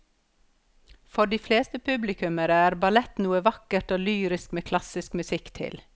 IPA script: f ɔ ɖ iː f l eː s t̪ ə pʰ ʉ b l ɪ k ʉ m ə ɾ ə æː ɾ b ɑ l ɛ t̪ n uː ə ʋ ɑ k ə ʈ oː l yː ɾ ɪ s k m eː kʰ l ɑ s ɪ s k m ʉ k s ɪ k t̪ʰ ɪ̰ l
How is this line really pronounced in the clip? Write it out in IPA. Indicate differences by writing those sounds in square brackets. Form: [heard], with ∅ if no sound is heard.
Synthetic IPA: f ɔ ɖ iː f l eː s t̪ ə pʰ ʉ b l ɪ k ʉ m ə ɾ ə æː ɾ b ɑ l ɛ t̪ n uː ə ʋ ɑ k ə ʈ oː l yː ɾ ɪ s k m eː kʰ l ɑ s ɪ s k m ʉ [∅] s ɪ k t̪ʰ ɪ̰ l

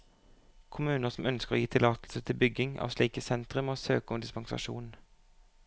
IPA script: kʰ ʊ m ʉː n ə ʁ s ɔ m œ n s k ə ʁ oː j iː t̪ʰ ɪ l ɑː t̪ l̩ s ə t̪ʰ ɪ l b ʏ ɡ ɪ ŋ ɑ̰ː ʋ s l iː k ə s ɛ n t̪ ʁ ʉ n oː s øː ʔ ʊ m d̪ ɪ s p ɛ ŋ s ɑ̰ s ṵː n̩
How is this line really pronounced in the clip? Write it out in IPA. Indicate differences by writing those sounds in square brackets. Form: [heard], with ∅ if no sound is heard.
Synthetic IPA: kʰ ʊ m ʉː n ə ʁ s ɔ m œ n s k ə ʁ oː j iː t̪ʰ ɪ l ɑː t̪ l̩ s ə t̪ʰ ɪ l b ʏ ɡ ɪ ŋ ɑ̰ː ʋ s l iː k ə s ɛ n t̪ ʁ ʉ [m] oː s øː [k] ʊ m d̪ ɪ s p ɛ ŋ s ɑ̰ [ʃ] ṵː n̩

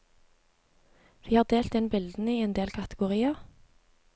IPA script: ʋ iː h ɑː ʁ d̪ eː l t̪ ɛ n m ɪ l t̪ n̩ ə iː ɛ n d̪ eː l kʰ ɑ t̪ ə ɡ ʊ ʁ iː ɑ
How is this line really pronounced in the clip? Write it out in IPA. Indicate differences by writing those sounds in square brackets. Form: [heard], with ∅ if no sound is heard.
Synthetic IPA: ʋ iː h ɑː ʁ d̪ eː l t̪ ɛ n [b] ɪ l [d̪] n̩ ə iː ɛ n d̪ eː l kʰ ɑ t̪ ə ɡ ʊ ʁ iː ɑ

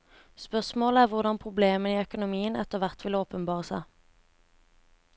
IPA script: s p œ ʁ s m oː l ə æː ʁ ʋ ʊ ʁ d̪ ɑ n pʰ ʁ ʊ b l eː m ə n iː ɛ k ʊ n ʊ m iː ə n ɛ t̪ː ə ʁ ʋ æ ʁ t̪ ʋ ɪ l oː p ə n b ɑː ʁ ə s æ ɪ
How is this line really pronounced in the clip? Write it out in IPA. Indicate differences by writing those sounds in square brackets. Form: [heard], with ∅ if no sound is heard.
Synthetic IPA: s p œ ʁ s m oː l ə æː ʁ ʋ ʊ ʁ d̪ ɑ n pʰ ʁ ʊ b l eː m ə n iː [œ] k ʊ n ʊ m iː ə n ɛ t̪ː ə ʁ ʋ æ ʁ t̪ ʋ ɪ l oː p ə n b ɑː ʁ ə s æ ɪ

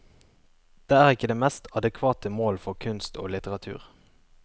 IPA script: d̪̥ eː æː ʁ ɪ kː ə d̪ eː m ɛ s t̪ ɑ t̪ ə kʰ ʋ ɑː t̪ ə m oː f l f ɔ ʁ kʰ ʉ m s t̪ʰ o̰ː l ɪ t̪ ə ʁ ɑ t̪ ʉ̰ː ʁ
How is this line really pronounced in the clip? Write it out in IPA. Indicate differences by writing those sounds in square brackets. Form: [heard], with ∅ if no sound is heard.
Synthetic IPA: d̪̥ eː æː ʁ ɪ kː ə d̪ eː m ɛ s t̪ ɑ [d̪] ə kʰ ʋ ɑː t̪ ə m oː [∅] l f ɔ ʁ kʰ ʉ [n] s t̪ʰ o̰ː l ɪ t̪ ə ʁ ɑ [t̪ʰ] ʉ̰ː ʁ

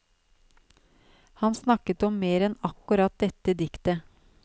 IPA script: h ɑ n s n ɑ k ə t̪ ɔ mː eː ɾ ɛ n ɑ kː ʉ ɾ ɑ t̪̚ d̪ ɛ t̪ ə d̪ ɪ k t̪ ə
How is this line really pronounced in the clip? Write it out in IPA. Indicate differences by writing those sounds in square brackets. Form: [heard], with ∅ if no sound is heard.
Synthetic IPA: h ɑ n s n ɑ k ə t̪ ɔ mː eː ɾ ɛ n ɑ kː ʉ ɾ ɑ t̪̚ d̪ ɛ t̪ ə d̪ ɪ k t̪ ə

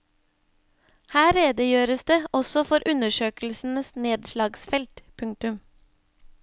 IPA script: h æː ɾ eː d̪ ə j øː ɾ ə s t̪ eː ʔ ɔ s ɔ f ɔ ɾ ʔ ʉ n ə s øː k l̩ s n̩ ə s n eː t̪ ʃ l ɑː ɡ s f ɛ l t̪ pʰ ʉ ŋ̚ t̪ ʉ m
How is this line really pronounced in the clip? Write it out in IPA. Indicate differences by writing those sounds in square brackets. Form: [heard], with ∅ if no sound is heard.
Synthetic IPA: h æː ɾ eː d̪ ə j øː ɾ ə s [d̪] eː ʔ ɔ s ɔ f ɔ ɾ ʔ ʉ n ə [ʃ] øː k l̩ s n̩ ə s n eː [d̪] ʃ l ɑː ɡ s f ɛ l t̪ pʰ ʉ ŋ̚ t̪ ʉ m

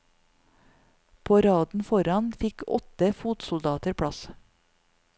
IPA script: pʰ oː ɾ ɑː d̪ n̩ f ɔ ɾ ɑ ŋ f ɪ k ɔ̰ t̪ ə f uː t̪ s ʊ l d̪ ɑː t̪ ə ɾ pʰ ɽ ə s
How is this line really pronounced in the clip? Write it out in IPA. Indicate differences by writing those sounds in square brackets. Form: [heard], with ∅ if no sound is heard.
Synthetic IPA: pʰ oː ɾ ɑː d̪ n̩ f ɔ ɾ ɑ [n] f ɪ k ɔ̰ t̪ ə f uː t̪ s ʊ l d̪ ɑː t̪ ə ɾ pʰ ɽ [ɑ] s

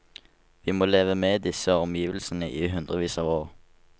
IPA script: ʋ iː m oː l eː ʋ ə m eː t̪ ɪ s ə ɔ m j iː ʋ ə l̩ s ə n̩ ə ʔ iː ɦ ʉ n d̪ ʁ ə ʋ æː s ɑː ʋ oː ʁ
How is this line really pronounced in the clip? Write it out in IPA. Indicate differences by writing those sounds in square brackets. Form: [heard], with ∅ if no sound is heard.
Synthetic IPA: ʋ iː m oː l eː ʋ ə m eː [d̪] ɪ s ə ɔ m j iː ʋ ə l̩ s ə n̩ ə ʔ iː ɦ ʉ n d̪ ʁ ə ʋ [iː] s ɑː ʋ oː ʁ

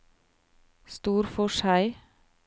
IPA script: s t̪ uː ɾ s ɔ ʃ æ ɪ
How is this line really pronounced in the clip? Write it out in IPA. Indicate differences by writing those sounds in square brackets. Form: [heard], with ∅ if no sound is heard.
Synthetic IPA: s t̪ uː ɾ [f] ɔ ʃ æ ɪ

